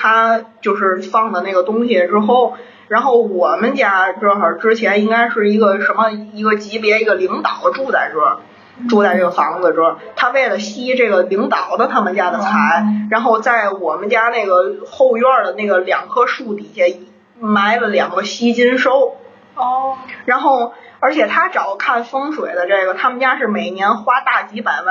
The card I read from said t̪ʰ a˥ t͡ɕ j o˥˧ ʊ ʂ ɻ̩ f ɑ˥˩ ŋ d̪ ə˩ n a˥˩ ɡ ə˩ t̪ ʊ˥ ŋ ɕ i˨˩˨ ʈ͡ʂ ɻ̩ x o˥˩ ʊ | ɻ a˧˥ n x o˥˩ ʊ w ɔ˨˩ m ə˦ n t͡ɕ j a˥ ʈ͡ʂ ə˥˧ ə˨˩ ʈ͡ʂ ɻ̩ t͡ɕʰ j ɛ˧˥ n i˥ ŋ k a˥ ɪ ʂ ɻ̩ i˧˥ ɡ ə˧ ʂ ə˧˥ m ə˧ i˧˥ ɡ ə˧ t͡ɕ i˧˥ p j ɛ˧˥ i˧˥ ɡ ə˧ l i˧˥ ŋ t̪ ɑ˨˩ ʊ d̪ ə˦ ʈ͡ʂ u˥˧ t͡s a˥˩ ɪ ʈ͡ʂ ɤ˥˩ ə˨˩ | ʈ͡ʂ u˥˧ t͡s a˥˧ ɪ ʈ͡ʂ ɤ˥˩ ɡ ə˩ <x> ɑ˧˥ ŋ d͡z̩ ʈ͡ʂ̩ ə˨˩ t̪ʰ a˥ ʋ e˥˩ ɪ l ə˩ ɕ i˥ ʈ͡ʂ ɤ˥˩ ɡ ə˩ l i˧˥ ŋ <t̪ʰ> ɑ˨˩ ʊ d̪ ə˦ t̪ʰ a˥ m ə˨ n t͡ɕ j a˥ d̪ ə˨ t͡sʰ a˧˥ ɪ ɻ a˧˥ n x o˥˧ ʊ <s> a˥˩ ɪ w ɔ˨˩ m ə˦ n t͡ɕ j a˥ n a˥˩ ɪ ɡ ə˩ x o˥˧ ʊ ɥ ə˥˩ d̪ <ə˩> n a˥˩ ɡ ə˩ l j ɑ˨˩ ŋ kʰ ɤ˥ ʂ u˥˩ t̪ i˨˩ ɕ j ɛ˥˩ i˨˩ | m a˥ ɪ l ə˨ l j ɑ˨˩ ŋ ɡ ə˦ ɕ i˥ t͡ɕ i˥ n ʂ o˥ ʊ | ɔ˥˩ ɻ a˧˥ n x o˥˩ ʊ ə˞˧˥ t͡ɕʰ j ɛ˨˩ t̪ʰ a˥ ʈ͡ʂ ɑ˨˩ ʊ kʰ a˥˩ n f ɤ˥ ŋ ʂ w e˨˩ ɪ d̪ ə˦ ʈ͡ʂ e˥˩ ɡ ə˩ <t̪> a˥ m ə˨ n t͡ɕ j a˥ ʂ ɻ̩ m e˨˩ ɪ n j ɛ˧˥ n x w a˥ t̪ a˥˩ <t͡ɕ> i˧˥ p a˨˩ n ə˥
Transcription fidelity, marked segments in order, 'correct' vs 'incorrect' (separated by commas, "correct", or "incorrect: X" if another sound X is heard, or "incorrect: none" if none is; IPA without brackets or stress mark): incorrect: f, incorrect: t̪, incorrect: t͡s, correct, incorrect: t̪ʰ, correct